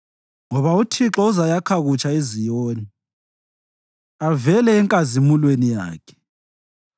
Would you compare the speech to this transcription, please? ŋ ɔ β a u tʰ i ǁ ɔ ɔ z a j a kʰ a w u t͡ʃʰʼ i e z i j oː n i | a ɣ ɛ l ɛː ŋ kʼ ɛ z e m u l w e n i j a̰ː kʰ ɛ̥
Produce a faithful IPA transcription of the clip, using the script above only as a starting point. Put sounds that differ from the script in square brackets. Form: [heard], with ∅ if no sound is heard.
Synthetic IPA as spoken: ŋ ɔ β a u tʰ i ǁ ɔ [u] z a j a kʰ a [ɣ] u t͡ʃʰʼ [a] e z i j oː n i | a [v] ɛ l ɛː ŋ kʼ [a] z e m u l w e n i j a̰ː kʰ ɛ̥